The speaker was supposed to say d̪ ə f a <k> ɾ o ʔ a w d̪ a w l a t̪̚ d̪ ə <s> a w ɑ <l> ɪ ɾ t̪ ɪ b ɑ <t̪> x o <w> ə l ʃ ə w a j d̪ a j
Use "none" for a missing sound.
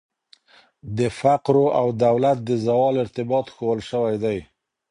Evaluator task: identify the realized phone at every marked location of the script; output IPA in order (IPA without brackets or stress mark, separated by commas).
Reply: q, z, l, t̪, w